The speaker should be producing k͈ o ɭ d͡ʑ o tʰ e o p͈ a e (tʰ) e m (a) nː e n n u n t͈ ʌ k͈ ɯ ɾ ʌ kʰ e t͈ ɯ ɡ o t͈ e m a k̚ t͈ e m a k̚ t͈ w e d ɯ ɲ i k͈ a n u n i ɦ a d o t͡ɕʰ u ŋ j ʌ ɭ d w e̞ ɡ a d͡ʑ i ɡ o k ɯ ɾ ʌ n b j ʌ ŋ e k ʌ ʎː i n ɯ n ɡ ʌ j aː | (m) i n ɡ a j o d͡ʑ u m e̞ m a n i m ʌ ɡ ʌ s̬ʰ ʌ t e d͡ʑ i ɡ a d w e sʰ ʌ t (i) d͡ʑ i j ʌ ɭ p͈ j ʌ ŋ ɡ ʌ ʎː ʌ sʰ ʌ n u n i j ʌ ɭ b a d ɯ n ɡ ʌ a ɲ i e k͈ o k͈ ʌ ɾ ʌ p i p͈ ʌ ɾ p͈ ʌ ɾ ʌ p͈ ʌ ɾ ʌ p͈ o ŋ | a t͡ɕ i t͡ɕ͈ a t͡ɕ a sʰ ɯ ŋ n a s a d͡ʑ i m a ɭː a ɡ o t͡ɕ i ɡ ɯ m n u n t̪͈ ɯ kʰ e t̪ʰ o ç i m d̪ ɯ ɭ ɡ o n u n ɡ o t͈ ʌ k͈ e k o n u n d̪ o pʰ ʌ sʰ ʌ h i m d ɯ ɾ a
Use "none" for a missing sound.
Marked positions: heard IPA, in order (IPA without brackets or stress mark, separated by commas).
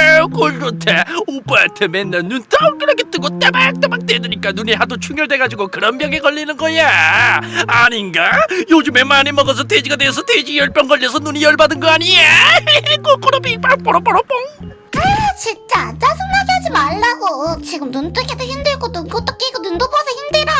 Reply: tʰ, e, ɲ, e